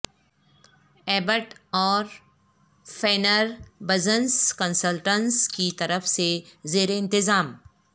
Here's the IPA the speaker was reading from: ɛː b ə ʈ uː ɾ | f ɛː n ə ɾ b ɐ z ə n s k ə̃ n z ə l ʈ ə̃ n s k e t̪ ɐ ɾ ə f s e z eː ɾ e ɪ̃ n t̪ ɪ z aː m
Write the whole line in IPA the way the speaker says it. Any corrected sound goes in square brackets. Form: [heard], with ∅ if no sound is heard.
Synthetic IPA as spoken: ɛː b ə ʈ [ɔː] ɾ | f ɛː n ə ɾ b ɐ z ə n s k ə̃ n [s] ə l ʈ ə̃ n s k [i] t̪ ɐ ɾ ə f s e z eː ɾ e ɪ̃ n t̪ ɪ z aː m